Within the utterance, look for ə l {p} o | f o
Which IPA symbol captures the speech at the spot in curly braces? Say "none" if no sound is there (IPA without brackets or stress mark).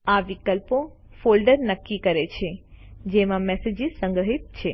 p